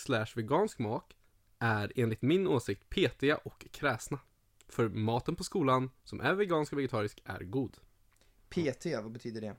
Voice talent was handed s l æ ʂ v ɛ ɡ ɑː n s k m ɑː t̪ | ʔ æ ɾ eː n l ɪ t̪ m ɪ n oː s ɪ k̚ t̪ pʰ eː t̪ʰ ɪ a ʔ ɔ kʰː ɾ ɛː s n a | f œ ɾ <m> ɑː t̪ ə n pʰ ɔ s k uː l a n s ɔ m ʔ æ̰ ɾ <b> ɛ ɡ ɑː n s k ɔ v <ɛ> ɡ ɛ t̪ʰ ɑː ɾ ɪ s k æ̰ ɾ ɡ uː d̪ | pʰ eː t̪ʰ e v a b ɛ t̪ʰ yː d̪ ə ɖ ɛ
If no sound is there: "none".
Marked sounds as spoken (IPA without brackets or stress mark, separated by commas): m, v, ɛ